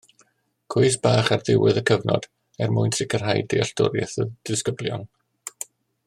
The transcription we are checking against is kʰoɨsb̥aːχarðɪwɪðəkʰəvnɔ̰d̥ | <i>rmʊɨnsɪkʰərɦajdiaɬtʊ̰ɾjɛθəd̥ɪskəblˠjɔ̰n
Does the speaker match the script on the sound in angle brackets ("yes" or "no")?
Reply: no